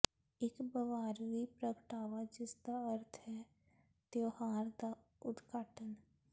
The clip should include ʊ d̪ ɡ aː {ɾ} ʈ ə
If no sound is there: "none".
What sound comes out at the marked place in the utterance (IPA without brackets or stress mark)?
none